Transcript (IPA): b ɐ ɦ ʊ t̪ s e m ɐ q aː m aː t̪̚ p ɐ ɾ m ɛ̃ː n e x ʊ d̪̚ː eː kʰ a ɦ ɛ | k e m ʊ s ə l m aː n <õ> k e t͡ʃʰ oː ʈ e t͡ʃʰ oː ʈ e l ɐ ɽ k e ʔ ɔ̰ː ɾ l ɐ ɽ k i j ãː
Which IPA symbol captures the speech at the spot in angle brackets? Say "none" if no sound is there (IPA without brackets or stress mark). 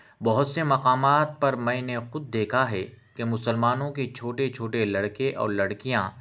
õ